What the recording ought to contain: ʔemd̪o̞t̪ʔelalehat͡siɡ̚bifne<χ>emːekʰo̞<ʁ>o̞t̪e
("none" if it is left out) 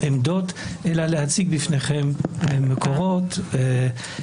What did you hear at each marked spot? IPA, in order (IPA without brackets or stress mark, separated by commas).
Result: χ, ʁ